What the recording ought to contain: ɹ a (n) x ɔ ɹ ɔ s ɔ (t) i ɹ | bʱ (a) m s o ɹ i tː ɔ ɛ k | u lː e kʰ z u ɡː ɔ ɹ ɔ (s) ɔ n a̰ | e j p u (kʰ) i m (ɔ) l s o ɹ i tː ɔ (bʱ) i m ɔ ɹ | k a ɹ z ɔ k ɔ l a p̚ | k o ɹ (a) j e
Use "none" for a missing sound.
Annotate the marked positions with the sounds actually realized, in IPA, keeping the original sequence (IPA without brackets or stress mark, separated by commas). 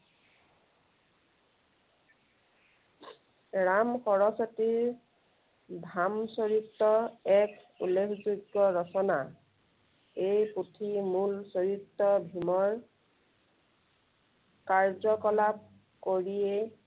m, t, a, s, tʰ, u, bʱ, i